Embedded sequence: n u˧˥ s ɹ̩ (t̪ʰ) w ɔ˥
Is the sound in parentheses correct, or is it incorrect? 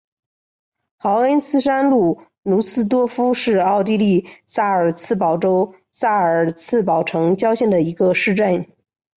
incorrect: t̪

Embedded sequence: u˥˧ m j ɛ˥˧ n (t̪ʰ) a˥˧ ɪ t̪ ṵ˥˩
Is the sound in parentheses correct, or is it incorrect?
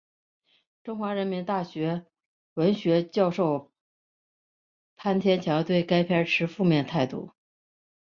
correct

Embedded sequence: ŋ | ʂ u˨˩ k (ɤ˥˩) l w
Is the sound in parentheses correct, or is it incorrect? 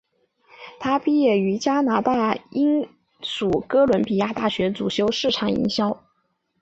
incorrect: ɤ˥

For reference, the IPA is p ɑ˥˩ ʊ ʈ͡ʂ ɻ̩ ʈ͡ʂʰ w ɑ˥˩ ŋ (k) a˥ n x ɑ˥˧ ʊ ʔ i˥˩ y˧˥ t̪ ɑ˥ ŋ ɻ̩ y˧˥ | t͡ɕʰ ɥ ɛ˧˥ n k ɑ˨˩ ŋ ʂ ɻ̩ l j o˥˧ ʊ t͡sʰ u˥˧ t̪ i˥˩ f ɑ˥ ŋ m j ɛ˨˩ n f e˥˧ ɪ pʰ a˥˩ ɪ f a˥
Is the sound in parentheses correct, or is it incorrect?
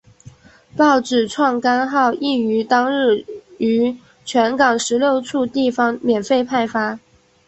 correct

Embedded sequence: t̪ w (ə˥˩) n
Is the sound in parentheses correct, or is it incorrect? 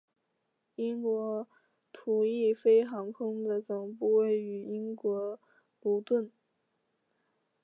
correct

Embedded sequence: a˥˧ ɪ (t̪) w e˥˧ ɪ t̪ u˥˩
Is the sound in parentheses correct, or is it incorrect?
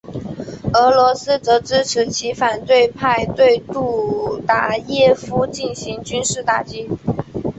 correct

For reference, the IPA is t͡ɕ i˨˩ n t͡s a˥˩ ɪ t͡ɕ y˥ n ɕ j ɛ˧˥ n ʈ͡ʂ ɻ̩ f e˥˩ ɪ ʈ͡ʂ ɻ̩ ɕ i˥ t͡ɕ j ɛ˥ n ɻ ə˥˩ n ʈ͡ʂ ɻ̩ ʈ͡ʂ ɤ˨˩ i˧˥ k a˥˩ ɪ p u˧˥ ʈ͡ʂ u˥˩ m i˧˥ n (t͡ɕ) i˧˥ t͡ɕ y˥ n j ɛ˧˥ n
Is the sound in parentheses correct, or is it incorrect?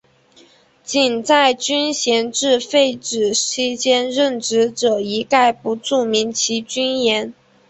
incorrect: t͡ɕʰ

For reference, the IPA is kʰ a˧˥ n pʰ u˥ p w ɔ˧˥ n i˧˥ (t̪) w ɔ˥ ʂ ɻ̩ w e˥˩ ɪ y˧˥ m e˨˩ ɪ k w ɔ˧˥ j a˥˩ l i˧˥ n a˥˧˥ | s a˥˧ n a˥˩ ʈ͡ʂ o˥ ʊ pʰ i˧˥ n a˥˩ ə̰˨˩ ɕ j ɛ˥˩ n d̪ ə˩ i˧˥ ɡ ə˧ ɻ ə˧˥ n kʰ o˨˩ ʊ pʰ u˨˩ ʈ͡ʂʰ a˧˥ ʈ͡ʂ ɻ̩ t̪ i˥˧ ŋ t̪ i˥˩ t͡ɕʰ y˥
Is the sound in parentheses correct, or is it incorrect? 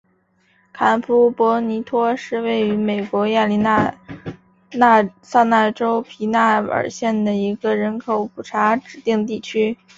incorrect: t̪ʰ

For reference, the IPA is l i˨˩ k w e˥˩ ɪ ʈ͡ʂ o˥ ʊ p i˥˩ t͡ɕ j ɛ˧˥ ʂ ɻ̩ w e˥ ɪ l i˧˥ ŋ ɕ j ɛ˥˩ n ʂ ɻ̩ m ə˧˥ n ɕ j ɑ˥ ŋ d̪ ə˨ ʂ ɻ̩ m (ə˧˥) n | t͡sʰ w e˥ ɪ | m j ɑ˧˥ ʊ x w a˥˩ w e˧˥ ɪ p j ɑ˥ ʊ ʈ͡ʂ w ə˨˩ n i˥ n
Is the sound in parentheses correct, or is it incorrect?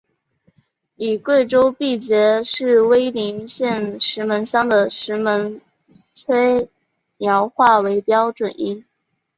correct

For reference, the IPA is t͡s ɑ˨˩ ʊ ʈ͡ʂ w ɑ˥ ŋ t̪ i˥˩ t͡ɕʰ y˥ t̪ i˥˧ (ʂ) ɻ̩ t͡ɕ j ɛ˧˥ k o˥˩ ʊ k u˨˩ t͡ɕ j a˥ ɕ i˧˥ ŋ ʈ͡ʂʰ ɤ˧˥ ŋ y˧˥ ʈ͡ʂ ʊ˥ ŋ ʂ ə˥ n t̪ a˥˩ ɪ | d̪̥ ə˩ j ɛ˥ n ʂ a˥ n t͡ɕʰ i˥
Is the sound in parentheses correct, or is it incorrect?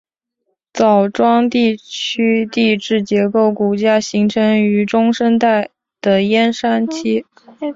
incorrect: ʈ͡ʂ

